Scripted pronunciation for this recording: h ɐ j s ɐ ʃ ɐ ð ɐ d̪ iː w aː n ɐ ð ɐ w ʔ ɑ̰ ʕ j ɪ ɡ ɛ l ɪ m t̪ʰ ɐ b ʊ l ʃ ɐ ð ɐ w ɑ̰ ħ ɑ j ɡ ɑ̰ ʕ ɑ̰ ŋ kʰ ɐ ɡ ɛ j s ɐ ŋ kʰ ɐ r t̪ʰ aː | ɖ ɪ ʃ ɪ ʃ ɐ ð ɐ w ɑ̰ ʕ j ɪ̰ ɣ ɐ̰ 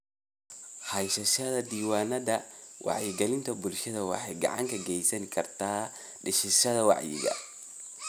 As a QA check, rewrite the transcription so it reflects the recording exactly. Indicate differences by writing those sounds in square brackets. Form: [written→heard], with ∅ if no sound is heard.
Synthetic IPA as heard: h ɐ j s ɐ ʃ ɐ ð ɐ d̪ iː w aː n ɐ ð ɐ w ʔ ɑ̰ ʕ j ɪ ɡ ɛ l ɪ [m→n] t̪ʰ ɐ b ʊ l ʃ ɐ ð ɐ w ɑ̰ ħ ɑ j ɡ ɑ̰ ʕ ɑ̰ ŋ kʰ ɐ ɡ ɛ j s ɐ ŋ kʰ ɐ r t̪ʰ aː | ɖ ɪ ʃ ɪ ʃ ɐ ð ɐ w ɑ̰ ʕ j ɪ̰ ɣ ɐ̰